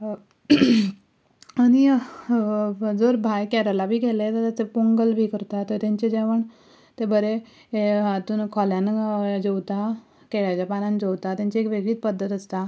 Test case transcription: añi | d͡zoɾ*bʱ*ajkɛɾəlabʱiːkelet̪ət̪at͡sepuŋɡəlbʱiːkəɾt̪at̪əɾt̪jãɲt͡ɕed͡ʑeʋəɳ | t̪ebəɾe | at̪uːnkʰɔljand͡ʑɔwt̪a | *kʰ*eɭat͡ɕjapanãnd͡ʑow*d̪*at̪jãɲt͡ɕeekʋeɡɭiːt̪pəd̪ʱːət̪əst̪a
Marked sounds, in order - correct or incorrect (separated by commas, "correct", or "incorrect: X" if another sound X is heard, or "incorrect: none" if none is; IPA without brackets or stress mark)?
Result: correct, incorrect: k, incorrect: t̪